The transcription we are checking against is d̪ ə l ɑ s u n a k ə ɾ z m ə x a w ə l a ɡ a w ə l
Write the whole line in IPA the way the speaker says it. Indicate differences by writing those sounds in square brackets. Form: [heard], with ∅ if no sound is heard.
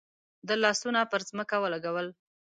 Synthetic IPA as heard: d̪ ə l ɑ s u n a [p] ə ɾ z m ə [k] a w ə l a ɡ a w ə l